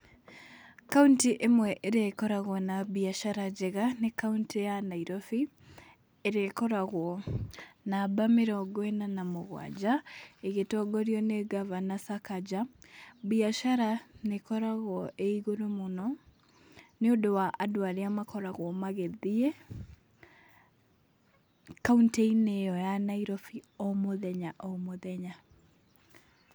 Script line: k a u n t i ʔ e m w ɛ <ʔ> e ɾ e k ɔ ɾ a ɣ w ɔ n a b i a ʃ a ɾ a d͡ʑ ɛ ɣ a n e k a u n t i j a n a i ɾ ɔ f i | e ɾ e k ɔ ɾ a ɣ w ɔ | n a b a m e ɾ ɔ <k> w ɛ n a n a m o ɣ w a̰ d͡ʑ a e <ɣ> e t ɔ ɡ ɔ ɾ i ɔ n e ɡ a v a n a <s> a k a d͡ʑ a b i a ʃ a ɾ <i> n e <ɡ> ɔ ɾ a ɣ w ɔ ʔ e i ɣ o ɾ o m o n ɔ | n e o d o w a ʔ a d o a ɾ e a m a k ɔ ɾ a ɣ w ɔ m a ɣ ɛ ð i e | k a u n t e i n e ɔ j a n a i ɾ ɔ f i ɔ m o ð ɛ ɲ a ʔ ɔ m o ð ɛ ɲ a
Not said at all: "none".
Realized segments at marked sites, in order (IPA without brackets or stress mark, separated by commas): ʔ, ɡ, ɣ, s, a, k